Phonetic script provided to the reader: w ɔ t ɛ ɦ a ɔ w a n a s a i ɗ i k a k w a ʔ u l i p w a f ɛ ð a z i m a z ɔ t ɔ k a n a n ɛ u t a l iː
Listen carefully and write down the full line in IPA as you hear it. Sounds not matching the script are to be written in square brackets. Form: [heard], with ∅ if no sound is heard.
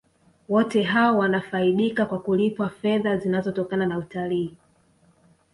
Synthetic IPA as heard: w ɔ t ɛ ɦ a ɔ w a n a [f] a i ɗ i k a k w a [k] u l i p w a f ɛ ð a z i [n] a z ɔ t ɔ k a n a n [a] u t a l iː